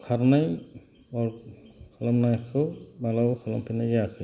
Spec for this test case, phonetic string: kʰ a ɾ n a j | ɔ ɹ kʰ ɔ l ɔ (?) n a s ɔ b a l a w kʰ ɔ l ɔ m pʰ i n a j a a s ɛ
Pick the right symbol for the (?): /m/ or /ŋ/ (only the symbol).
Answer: m